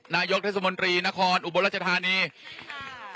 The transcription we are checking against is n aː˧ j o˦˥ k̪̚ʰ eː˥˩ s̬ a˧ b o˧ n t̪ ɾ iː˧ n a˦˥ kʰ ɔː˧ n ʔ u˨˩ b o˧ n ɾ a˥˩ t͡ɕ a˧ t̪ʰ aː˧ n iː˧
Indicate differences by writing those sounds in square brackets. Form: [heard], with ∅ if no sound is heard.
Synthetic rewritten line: n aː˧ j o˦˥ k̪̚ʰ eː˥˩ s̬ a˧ [m] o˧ n t̪ ɾ iː˧ n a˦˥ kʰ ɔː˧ n ʔ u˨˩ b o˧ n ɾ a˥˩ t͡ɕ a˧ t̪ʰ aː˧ n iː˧